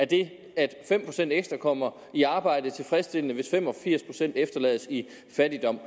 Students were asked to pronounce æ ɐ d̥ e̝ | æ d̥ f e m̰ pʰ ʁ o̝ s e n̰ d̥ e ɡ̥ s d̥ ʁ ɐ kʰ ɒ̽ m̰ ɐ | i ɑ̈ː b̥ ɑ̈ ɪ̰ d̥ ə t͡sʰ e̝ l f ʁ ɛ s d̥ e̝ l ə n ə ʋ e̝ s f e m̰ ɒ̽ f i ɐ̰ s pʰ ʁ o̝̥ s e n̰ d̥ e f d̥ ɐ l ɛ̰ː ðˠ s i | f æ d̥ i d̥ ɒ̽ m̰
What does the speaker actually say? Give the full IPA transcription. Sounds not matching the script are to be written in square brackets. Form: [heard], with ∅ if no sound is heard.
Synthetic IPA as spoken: æ ɐ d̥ e̝ | æ d̥ f e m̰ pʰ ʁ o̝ s e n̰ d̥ e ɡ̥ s d̥ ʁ ɐ kʰ ɒ̽ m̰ ɐ | i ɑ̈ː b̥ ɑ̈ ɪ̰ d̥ ə t͡sʰ e̝ l f ʁ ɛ s d̥ e̝ l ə n ə ʋ e̝ s f e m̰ ɒ̽ f i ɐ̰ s pʰ ʁ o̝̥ s e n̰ d̥ e f d̥ ɐ l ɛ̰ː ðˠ s i | f æ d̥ i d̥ ɒ̽ m̰